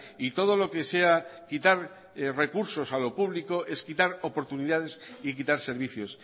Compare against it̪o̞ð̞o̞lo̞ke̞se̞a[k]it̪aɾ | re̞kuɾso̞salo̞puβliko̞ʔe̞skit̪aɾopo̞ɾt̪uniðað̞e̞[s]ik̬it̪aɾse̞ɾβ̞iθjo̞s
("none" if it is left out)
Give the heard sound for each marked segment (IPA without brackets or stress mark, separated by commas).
k, s